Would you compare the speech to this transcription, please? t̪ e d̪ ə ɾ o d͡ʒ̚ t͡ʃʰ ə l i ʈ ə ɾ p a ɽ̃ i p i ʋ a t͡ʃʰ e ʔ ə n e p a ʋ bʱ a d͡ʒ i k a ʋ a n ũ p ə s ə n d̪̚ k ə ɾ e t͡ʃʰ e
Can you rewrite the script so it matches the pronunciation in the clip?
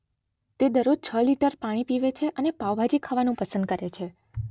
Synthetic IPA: t̪ e d̪ ə ɾ o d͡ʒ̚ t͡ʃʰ ə l i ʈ ə ɾ p a ɽ̃ i p i ʋ e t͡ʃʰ e ʔ ə n e p a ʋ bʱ a d͡ʒ i kʰ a ʋ a n ũ p ə s ə n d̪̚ k ə ɾ e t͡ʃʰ e